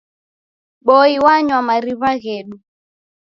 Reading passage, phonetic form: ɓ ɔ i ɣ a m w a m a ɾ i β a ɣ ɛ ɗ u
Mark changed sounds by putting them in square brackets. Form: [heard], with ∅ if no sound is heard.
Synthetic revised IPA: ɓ ɔ i [w] a [ɲ] w a m a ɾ i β a ɣ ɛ ɗ u